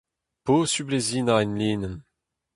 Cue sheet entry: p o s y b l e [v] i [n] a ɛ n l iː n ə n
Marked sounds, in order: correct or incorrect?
incorrect: z, correct

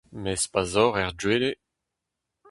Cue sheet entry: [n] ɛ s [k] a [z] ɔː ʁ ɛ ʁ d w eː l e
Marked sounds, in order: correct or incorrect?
incorrect: m, incorrect: p, correct

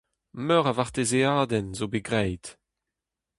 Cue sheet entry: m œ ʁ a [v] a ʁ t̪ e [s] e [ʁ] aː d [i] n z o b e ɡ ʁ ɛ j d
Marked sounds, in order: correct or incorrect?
correct, incorrect: z, incorrect: none, incorrect: ɛ

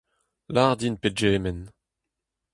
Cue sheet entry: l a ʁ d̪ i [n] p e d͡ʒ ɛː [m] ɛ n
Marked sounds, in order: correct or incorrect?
correct, correct

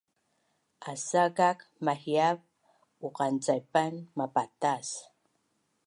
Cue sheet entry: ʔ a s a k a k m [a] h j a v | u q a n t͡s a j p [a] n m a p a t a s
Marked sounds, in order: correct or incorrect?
correct, correct

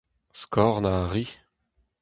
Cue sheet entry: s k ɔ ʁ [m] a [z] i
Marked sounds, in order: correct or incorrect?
incorrect: n, incorrect: ʁ

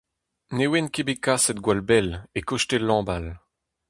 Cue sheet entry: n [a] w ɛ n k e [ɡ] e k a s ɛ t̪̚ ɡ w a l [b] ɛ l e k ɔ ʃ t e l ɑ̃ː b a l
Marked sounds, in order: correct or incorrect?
incorrect: e, incorrect: b, correct

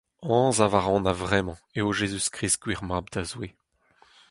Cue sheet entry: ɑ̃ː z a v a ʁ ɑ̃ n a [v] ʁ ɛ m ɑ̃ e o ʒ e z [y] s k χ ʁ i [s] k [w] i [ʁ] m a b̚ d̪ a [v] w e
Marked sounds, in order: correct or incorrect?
correct, correct, correct, correct, correct, incorrect: z

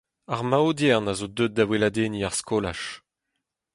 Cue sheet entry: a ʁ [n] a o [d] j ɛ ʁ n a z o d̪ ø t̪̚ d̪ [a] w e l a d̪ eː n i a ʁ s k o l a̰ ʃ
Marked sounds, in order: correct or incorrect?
incorrect: m, correct, correct

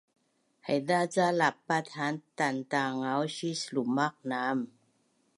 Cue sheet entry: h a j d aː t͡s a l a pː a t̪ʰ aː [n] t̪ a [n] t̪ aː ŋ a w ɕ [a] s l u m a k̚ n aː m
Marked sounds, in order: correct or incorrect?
correct, correct, incorrect: i

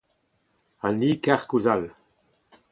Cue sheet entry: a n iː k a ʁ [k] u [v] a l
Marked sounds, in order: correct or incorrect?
correct, incorrect: z

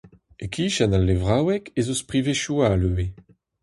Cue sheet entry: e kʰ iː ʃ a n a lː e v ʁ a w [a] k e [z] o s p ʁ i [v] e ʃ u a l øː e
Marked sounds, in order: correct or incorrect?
incorrect: ɛ, correct, correct

